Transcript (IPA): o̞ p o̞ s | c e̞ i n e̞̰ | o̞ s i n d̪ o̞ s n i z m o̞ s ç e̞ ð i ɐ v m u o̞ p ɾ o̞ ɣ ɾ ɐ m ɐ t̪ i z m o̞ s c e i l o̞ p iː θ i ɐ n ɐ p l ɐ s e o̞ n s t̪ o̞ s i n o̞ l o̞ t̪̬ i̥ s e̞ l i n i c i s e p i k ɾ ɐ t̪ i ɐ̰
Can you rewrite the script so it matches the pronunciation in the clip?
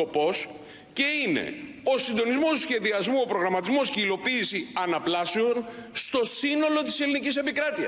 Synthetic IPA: o̞ p o̞ s | c e̞ i n e̞̰ | o̞ s i n d̪ o̞ n i z m o̞ s ç e̞ ð i ɐ z m u o̞ p ɾ o̞ ɣ ɾ ɐ m ɐ t̪ i z m o̞ s c e i l o̞ p iː s i ɐ n ɐ p l ɐ s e o̞ n s t̪ o̞ s i n o̞ l o̞ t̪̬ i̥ s e̞ l i n i c i s e p i k ɾ ɐ t̪ i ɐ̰